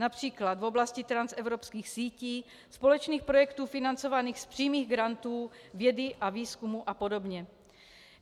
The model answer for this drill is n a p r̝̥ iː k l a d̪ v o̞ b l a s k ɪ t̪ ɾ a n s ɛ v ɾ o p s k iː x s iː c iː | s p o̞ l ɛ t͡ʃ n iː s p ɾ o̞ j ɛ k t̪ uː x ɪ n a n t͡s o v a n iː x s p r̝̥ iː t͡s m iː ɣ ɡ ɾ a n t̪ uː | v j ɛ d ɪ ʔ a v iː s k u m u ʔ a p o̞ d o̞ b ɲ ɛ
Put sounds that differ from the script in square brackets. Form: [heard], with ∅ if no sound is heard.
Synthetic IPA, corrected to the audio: n a p r̝̥ iː k l a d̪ v o̞ b l a s [c] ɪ t̪ ɾ a n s ɛ v ɾ o p s k iː x s iː c iː | s p o̞ l ɛ t͡ʃ n iː [x] p ɾ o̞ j ɛ k t̪ uː [f] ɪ n a n t͡s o v a n iː x s p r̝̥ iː [∅] m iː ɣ ɡ ɾ a n t̪ uː | v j ɛ d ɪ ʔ a v iː s k u m u ʔ a p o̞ d o̞ b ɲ ɛ

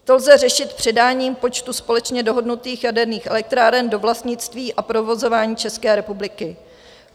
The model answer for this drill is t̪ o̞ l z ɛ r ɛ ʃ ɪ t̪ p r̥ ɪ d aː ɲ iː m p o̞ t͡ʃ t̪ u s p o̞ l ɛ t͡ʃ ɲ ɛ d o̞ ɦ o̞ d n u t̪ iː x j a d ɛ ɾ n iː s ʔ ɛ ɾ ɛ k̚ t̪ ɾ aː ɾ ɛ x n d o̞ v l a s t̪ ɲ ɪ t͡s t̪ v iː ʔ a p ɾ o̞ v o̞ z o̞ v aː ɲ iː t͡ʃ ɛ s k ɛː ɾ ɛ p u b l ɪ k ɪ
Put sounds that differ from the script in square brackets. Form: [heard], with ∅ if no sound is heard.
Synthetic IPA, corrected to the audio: t̪ o̞ l z ɛ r ɛ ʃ ɪ t̪ p r̥ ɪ d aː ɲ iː m p o̞ t͡ʃ t̪ u s p o̞ l ɛ t͡ʃ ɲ ɛ d o̞ ɦ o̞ d n u t̪ iː x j a d ɛ ɾ n iː [x] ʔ ɛ [l] ɛ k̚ t̪ ɾ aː ɾ ɛ [∅] n d o̞ v l a s t̪ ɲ ɪ t͡s t̪ v iː ʔ a p ɾ o̞ v o̞ z o̞ v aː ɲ iː t͡ʃ ɛ s k ɛː ɾ ɛ p u b l ɪ k ɪ

